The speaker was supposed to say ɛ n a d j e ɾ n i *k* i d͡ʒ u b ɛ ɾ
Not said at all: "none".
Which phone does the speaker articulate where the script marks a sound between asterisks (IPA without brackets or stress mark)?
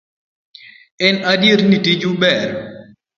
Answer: t